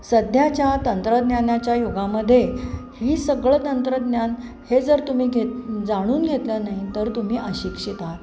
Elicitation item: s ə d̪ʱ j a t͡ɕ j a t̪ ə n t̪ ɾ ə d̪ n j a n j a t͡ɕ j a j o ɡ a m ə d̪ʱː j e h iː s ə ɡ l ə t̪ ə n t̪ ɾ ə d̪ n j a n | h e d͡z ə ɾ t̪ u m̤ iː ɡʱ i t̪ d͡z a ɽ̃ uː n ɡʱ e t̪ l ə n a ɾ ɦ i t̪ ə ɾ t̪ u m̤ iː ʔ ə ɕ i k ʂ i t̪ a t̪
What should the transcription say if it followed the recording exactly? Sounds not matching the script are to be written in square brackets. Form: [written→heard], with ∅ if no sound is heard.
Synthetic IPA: s ə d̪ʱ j a t͡ɕ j a t̪ ə n t̪ ɾ ə d̪ n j a n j a t͡ɕ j a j o ɡ a m ə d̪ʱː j e h iː s ə ɡ [l→ɭ] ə t̪ ə n t̪ ɾ ə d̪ n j a n | h e d͡z ə ɾ t̪ u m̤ iː ɡʱ [i→e] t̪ d͡z a ɽ̃ uː n ɡʱ e t̪ l ə n a [ɾ→∅] ɦ i t̪ ə ɾ t̪ u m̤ iː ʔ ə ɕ i k ʂ i t̪ a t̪

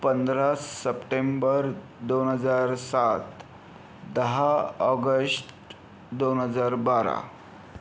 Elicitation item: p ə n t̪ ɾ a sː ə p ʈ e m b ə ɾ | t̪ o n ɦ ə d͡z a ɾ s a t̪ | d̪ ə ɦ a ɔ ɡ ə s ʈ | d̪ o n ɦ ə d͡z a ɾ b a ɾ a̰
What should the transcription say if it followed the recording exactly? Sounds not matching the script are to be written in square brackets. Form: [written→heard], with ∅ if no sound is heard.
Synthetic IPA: p ə n [t̪→d̪] ɾ a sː ə p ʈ e m b ə ɾ | [t̪→d̪] o n ɦ ə d͡z a ɾ s a t̪ | d̪ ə ɦ a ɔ ɡ ə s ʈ | d̪ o n ɦ ə d͡z a ɾ b a ɾ a̰

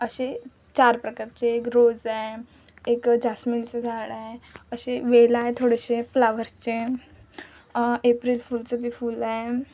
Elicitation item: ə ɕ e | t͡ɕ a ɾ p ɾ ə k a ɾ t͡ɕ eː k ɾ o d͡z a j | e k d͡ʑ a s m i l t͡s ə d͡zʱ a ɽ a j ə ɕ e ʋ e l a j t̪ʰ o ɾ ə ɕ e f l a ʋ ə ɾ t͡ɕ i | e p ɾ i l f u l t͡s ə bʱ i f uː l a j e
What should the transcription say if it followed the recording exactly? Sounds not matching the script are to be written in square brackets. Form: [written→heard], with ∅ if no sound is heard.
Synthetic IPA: ə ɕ e | t͡ɕ a ɾ p ɾ ə k a ɾ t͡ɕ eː k ɾ o d͡z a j | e k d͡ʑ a s m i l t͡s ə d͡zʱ a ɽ a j ə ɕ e ʋ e l a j t̪ʰ o [ɾ→ɽ] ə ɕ e f l a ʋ ə ɾ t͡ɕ [i→e] | e p ɾ i l f u l t͡s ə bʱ i f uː l a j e

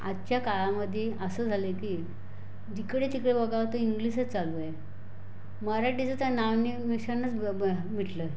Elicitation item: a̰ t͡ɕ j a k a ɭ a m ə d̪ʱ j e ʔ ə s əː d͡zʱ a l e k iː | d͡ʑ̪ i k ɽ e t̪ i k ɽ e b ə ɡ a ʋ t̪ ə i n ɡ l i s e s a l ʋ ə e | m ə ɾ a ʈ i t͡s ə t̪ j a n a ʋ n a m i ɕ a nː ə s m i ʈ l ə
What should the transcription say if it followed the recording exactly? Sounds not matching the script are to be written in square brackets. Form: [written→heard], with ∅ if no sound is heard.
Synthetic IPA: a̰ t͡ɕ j a k a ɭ a m ə d̪ʱ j e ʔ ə s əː d͡zʱ a l e k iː | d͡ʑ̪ i k ɽ e t̪ i k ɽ e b ə ɡ a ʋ t̪ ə i [n→ŋ] ɡ l i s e [s→t͡s] a l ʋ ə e | m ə ɾ a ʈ i t͡s ə t̪ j a n a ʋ n [a→i] m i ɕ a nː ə [s→t͡s] m i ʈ l ə

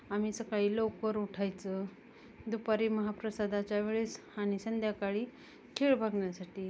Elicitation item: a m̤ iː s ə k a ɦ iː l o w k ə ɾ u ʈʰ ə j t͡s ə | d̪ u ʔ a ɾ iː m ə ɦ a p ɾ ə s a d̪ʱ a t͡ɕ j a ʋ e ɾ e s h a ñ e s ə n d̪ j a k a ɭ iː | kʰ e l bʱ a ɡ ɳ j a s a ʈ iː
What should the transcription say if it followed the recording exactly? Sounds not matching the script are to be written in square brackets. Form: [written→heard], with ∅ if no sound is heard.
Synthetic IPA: a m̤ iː s ə k a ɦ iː l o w k ə ɾ u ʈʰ [ə→a] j t͡s ə | d̪ u [ʔ→p] a ɾ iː m ə ɦ a p ɾ ə s a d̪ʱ a t͡ɕ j a ʋ e [ɾ→ɭ] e s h a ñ [e→i] s ə n d̪ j a k a ɭ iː | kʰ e [l→ɭ] bʱ a ɡ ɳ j a s a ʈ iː

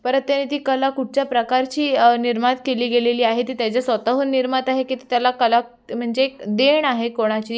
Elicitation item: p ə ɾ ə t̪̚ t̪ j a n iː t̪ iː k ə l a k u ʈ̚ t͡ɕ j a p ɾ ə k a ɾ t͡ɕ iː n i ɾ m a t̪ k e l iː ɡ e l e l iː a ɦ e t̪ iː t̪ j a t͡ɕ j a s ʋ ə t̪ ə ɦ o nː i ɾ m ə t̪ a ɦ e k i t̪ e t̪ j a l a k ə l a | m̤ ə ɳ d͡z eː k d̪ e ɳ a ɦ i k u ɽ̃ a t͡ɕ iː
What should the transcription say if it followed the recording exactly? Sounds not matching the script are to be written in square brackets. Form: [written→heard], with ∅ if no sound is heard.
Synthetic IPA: p ə ɾ ə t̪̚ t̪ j a n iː t̪ iː k ə l a k u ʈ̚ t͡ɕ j a p ɾ ə k a ɾ t͡ɕ iː n i ɾ m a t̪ k e l iː ɡ e l e l iː a ɦ e t̪ iː t̪ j a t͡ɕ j a s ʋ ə t̪ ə ɦ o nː i ɾ m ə t̪ a ɦ e k i t̪ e t̪ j a l a k ə l a | m̤ ə ɳ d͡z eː k d̪ e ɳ a ɦ [i→e] k [u→o] ɽ̃ a t͡ɕ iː

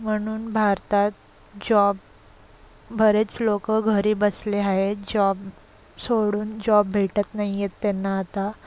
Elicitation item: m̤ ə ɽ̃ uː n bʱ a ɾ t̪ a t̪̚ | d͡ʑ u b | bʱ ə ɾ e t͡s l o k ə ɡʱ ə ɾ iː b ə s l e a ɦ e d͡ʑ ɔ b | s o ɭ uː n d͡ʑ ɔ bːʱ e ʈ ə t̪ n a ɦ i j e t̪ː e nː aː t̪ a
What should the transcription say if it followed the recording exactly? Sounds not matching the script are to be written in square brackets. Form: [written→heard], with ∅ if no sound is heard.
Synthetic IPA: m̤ ə ɽ̃ uː n bʱ a ɾ t̪ a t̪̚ | d͡ʑ [u→ɔ] b | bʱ ə ɾ e t͡s l o k ə ɡʱ ə ɾ iː b ə s l e a ɦ e d͡ʑ ɔ b | s o [ɭ→ɽ] uː n d͡ʑ ɔ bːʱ e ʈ ə t̪ n a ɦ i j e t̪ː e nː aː t̪ a

